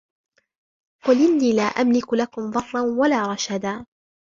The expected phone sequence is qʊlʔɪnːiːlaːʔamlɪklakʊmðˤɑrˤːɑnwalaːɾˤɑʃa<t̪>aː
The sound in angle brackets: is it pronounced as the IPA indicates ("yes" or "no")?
no